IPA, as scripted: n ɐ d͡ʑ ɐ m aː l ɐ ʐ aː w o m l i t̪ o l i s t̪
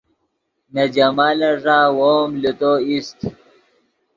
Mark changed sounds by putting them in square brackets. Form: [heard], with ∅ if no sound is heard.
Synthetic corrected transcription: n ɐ d͡ʑ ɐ m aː l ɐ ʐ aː w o m l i t̪ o [∅] i s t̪